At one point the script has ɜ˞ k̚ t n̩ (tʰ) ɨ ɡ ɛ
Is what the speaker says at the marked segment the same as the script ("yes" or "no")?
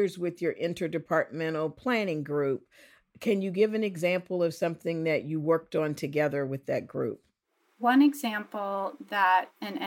yes